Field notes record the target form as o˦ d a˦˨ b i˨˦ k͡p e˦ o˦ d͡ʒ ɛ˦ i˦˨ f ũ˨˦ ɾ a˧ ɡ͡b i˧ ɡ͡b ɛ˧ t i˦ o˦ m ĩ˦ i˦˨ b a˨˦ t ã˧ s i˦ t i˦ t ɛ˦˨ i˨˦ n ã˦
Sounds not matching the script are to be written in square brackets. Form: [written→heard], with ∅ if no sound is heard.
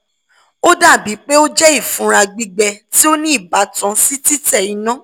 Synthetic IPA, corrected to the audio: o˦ d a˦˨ b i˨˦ k͡p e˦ o˦ d͡ʒ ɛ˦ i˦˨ f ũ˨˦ ɾ a˧ ɡ͡b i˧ ɡ͡b ɛ˧ t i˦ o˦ [m→n] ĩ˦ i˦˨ b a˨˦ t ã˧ s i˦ t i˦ t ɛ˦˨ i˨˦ n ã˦